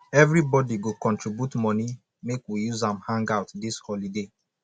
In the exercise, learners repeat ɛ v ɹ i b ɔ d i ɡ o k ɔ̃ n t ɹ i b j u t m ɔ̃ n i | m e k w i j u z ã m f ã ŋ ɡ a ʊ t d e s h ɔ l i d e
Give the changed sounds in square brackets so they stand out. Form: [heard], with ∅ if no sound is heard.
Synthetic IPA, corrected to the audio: ɛ v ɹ i b ɔ d i ɡ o k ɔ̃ n t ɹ i b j u t m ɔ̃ n i | m e k w i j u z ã m [h] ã ŋ ɡ a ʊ t d [i] s h ɔ l i d e